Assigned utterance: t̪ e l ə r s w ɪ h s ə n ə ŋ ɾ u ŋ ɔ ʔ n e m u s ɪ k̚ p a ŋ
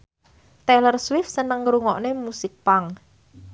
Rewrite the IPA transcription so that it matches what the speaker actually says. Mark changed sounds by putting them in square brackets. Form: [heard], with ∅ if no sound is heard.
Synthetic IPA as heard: t̪ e l ə r s w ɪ [f] s ə n ə ŋ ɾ u ŋ ɔ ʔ n e m u s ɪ k̚ p a ŋ